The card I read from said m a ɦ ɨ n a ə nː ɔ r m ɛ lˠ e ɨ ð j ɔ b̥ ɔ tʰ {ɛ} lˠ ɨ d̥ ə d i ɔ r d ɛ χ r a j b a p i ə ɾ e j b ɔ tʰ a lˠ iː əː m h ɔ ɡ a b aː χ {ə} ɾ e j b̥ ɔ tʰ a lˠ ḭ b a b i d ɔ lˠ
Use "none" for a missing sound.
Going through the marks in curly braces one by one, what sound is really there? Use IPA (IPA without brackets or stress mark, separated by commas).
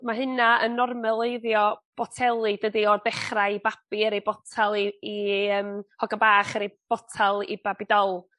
ɛ, ə